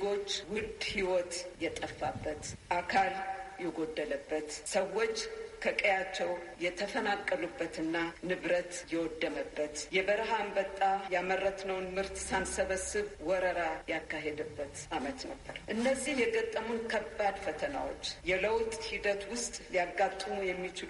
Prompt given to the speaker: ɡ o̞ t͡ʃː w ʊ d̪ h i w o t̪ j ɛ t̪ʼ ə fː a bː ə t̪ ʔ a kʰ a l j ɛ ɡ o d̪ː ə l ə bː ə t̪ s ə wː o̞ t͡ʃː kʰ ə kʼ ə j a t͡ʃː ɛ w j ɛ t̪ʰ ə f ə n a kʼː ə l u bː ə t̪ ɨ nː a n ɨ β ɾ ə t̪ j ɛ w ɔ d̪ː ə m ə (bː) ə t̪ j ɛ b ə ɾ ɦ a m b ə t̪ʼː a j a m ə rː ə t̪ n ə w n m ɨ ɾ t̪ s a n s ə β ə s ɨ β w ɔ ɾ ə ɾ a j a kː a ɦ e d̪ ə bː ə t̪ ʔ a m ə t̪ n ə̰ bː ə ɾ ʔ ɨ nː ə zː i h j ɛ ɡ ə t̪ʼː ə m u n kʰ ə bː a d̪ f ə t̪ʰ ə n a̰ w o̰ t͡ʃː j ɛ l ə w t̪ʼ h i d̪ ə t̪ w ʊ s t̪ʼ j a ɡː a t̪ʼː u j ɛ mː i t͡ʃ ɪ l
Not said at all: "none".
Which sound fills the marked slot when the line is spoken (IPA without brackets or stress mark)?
bː